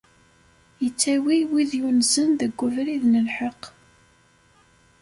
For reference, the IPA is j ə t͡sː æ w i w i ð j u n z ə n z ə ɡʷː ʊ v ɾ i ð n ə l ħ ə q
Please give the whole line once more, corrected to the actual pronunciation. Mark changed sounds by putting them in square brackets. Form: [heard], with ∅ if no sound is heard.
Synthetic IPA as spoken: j ə t͡sː æ w i w i ð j u n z ə n [ð] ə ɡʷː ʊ v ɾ i ð n ə l ħ ə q

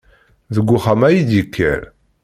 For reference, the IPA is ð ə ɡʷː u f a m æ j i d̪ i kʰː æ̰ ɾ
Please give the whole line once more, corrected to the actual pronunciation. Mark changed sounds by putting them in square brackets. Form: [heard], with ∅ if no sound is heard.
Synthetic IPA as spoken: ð ə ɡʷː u [χ] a m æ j i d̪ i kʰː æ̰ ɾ

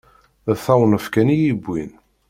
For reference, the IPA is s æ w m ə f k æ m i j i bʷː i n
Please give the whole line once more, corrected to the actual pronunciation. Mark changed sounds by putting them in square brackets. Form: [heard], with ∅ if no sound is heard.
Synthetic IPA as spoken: [θ] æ w [n] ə f k æ [n] i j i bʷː i n

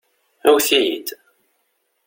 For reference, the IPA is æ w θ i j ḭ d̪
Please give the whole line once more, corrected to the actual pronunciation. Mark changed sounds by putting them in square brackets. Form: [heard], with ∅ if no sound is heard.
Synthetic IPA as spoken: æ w θ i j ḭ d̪

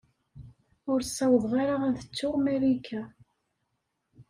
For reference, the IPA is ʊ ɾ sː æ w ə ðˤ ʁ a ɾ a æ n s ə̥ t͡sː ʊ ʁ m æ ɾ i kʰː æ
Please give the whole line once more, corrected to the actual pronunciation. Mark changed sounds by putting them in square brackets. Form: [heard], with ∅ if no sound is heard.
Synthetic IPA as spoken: ʊ ɾ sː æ w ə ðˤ ʁ a ɾ a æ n [θ] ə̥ t͡sː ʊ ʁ m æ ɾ i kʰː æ

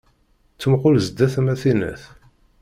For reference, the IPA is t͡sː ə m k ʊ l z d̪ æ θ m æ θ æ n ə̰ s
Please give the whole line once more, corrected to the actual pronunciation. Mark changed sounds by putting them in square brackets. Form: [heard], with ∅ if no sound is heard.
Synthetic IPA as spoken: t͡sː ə m [q] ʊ l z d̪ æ θ m æ θ [i] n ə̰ [θ]

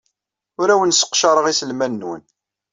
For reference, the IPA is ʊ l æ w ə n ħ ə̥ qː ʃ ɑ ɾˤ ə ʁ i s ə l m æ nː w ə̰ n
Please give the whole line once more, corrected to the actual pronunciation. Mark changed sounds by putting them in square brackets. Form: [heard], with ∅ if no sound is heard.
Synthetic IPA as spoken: ʊ [ɾ] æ w ə n [s] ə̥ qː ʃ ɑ ɾˤ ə ʁ i s ə l m æ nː w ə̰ n

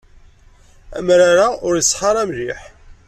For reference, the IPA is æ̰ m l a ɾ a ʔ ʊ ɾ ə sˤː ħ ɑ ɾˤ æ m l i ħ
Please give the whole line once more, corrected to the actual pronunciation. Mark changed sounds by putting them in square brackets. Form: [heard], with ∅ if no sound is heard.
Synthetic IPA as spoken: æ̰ m [ɾ] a ɾ a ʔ ʊ ɾ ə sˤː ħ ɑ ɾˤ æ m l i ħ

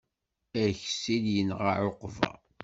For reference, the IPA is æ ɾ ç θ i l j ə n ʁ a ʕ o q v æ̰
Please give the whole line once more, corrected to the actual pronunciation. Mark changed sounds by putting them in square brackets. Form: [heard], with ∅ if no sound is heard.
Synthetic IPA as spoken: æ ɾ ç [s] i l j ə n ʁ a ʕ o q v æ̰

